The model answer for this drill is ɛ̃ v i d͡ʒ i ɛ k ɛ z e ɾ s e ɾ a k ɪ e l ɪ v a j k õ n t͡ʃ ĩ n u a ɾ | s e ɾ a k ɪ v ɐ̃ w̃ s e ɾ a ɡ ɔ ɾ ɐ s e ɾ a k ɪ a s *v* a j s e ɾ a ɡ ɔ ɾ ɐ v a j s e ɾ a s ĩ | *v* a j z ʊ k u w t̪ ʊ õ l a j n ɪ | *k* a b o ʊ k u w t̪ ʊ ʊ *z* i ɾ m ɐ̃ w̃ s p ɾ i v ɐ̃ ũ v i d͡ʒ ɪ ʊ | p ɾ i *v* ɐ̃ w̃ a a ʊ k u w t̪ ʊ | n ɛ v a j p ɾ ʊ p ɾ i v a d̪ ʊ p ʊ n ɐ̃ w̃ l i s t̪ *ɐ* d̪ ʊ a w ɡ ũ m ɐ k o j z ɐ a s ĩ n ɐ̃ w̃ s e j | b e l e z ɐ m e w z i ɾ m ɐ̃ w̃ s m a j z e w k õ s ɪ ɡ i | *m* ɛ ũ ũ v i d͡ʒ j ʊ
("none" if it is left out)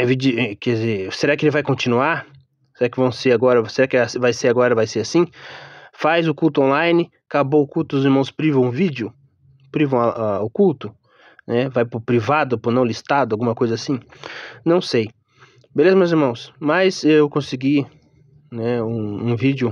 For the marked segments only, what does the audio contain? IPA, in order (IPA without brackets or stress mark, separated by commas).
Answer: v, f, k, z, v, a, n